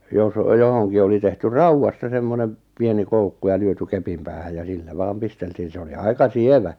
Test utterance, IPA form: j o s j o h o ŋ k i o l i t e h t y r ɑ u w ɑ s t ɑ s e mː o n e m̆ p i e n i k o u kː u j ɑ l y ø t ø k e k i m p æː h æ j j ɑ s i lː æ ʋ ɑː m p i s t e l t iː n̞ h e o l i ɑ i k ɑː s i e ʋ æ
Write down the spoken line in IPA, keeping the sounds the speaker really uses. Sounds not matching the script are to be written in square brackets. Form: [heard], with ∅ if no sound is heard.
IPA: j o s j o h o ŋ k i o l i t e h t y r ɑ u w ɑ s t ɑ s e mː o n e m̆ p i e n i k o u kː u j ɑ l y ø t [y] k e [p] i m p æː h æ j j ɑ s i lː æ ʋ ɑː m p i s t e l t iː n̞ [s] e o l i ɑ i k [ɑ] s i e ʋ æ